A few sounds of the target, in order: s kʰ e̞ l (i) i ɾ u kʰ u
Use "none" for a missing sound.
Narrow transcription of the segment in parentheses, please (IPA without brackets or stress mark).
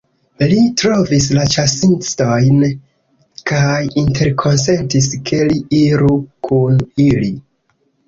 i